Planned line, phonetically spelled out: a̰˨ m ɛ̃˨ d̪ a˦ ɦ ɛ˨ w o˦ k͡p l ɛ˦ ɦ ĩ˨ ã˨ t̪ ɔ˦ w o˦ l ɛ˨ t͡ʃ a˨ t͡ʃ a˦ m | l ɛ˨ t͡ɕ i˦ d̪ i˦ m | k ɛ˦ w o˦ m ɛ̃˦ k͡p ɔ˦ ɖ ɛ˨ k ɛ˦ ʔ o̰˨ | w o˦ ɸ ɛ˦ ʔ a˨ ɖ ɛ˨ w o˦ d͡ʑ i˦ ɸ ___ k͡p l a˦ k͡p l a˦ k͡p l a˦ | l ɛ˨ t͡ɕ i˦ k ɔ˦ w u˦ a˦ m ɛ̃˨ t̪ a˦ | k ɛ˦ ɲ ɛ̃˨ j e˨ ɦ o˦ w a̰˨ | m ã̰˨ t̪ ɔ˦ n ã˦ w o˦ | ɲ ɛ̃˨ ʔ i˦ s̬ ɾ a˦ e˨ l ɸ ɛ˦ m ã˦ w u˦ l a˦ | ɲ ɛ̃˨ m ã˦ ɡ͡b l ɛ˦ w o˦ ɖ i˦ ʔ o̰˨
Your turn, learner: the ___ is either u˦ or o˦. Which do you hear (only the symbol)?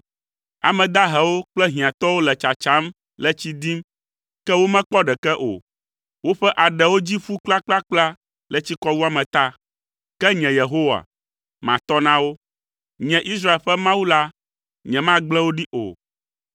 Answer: u˦